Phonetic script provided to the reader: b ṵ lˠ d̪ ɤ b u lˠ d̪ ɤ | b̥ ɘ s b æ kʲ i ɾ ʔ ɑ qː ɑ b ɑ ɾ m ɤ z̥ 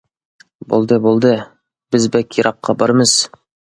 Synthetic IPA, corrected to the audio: b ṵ lˠ d̪ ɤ b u lˠ d̪ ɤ | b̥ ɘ z b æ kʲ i ɾ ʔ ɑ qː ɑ b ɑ ɾ m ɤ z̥